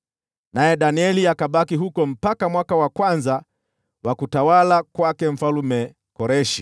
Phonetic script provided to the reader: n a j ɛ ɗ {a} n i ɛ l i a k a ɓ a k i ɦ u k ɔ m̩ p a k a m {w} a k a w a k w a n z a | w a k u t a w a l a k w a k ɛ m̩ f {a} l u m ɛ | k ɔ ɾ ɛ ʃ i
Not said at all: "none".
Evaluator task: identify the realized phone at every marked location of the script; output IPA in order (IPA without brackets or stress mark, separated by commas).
a, w, a